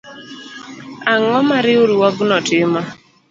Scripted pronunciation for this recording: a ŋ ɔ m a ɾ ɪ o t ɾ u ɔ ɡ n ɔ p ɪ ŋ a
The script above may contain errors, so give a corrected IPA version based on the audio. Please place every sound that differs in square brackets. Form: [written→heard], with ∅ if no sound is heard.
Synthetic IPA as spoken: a ŋ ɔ m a ɾ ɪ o [t→∅] ɾ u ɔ ɡ n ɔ [p→t] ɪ [ŋ→m] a